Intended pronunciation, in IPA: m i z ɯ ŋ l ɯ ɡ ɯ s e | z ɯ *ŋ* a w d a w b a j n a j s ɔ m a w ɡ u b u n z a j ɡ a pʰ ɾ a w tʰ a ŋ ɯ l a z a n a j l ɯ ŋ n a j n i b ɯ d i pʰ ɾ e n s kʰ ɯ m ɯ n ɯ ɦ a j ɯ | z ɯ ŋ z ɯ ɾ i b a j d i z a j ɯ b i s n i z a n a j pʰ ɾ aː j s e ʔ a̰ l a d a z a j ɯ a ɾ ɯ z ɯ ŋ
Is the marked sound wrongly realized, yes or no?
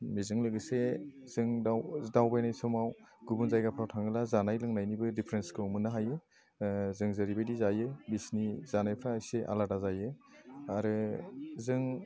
no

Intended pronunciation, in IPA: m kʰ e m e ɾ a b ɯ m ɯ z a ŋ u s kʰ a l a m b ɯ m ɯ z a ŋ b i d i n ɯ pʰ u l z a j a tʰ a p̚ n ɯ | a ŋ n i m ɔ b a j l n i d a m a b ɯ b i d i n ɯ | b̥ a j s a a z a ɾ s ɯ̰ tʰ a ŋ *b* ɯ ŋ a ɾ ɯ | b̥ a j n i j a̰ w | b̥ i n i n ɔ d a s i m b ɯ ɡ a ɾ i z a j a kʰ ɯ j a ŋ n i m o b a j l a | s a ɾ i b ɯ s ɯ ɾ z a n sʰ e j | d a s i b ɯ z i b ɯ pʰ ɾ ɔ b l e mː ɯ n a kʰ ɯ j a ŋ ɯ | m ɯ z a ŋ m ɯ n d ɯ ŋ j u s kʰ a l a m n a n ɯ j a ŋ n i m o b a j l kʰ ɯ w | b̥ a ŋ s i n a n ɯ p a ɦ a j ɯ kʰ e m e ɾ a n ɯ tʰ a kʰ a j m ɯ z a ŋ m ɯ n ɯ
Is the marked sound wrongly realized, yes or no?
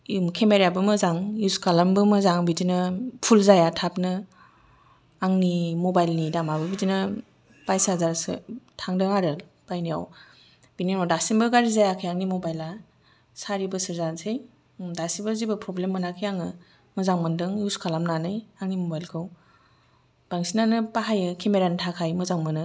yes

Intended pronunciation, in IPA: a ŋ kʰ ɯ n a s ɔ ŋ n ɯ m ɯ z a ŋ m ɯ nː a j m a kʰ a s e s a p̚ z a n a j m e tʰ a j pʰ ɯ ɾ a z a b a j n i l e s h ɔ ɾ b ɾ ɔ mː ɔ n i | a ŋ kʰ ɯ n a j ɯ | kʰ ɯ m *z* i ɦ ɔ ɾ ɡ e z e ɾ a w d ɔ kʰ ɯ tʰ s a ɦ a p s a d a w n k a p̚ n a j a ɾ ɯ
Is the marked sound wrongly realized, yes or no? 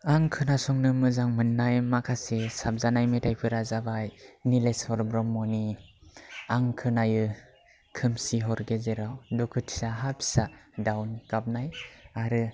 yes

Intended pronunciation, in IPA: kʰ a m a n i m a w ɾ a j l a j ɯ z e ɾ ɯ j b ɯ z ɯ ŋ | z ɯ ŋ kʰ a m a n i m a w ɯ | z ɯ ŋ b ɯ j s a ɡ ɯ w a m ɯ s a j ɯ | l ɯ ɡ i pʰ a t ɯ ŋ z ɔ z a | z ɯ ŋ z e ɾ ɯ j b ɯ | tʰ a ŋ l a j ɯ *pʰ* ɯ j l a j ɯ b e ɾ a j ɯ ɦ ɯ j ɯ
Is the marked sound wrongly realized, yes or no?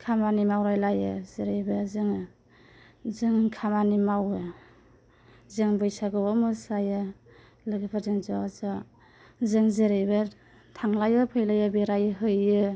no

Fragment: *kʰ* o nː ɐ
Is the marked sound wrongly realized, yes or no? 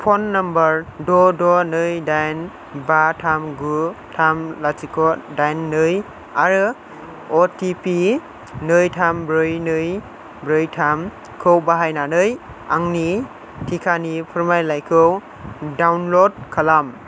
yes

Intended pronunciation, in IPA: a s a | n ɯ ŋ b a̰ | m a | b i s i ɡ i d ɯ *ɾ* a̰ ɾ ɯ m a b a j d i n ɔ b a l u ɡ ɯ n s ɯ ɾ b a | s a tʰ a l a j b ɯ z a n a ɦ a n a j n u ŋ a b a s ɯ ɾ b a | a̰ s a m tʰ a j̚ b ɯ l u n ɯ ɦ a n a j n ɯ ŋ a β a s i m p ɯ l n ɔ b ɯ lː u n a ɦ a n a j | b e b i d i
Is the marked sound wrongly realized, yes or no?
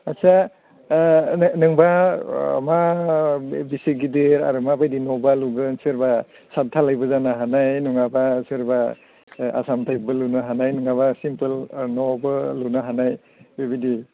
no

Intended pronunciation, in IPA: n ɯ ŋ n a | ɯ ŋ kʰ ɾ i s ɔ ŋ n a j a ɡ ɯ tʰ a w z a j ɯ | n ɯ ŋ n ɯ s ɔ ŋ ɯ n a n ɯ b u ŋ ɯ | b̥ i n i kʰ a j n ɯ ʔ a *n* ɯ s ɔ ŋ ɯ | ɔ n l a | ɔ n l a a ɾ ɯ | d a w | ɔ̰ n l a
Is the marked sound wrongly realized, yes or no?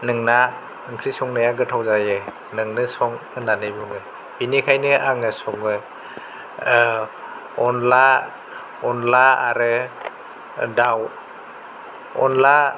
yes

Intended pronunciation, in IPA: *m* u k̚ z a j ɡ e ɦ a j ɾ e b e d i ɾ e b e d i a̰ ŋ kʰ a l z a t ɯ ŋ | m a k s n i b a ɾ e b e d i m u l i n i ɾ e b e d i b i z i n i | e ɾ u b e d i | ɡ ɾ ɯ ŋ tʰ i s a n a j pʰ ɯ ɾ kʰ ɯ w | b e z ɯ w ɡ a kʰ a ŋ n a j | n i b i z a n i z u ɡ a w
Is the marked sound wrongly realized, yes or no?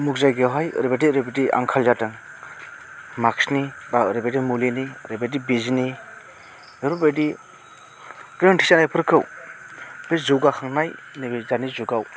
no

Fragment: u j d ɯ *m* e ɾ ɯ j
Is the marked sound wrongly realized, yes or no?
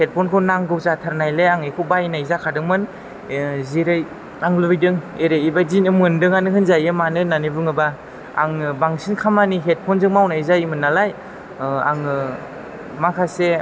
yes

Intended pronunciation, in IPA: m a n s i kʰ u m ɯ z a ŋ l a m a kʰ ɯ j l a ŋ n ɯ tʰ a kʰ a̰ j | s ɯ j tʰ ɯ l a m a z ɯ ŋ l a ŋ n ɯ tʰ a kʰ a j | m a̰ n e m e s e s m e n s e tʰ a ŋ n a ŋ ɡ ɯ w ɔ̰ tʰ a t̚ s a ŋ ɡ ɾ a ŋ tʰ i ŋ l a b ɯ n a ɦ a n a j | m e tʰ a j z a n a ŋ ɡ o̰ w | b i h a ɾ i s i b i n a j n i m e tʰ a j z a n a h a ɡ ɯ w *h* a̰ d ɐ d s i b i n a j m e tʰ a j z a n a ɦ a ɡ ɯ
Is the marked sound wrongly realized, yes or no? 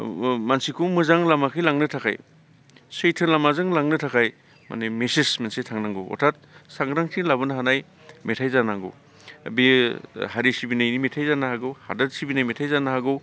no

